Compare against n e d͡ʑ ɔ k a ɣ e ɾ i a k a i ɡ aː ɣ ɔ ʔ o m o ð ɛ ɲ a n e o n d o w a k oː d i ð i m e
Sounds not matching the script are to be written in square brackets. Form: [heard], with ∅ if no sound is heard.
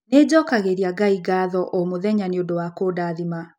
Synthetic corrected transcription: n e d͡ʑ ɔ k a ɣ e ɾ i a [ɡ] a i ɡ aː [ð] ɔ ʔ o m o ð ɛ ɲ a n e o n d o w a k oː d [a] ð i m [a]